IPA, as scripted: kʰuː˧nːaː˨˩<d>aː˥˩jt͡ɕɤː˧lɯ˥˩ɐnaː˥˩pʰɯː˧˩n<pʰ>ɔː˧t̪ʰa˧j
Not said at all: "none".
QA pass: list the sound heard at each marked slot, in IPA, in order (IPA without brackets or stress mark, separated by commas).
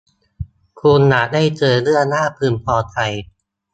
d, pʰ